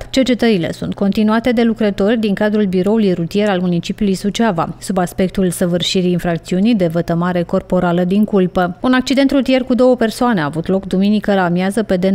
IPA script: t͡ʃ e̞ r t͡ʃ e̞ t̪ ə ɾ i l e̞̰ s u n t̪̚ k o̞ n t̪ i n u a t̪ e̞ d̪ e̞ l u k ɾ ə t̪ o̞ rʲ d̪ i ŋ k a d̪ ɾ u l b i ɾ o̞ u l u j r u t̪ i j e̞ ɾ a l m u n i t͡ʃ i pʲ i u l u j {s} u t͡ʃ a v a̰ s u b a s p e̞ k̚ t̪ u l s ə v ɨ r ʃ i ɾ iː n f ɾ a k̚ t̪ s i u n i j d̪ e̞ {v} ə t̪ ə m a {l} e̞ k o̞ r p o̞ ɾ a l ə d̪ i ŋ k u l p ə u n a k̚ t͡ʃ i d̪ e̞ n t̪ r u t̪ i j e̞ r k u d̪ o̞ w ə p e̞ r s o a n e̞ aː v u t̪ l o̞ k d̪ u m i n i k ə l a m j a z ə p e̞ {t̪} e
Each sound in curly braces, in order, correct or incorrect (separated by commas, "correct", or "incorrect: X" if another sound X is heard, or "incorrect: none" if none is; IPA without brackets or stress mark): correct, correct, incorrect: ɾ, incorrect: d̪